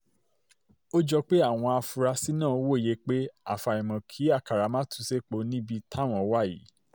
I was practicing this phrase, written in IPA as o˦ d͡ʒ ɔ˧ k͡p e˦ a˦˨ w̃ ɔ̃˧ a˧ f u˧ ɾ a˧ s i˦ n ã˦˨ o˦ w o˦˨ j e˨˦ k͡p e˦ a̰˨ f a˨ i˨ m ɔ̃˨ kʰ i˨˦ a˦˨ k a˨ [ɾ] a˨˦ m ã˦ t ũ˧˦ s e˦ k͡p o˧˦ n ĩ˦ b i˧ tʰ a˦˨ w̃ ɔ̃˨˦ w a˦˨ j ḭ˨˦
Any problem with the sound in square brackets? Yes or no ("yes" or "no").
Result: no